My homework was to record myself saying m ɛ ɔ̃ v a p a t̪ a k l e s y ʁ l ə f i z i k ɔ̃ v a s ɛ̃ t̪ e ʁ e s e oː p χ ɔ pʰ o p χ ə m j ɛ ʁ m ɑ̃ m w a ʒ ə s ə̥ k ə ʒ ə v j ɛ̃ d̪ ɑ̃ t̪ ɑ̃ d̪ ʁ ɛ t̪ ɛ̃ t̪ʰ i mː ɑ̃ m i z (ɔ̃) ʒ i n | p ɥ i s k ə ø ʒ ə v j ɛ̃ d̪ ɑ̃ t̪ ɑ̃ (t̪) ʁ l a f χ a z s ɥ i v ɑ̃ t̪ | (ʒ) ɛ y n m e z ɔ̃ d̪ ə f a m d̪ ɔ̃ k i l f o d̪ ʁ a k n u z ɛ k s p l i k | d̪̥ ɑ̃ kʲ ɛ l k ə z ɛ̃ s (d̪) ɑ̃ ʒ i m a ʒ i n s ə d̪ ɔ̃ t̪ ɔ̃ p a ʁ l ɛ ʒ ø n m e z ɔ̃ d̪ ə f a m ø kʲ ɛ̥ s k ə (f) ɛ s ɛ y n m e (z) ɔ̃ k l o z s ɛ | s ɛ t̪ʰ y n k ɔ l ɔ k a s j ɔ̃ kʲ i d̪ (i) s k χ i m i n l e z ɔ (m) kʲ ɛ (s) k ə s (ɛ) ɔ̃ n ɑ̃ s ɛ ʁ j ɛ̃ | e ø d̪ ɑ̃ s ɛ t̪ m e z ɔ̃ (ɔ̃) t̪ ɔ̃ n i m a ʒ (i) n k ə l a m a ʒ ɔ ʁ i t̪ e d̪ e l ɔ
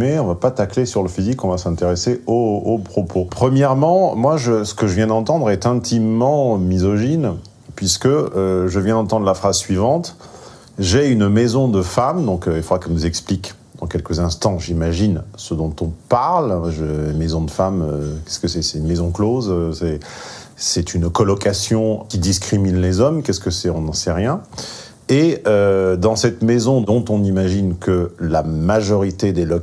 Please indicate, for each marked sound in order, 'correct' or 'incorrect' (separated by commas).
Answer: incorrect, incorrect, correct, incorrect, incorrect, correct, correct, correct, correct, correct, correct, correct